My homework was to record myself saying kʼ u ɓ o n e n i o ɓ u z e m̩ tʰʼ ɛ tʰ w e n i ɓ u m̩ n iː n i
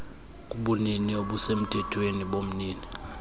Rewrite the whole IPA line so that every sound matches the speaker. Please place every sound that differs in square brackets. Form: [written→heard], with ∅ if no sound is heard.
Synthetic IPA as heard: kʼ u ɓ [o→u] n [e→i] n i o ɓ u [z→s] e m̩ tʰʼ ɛ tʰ w e n i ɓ [u→o] m̩ n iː n i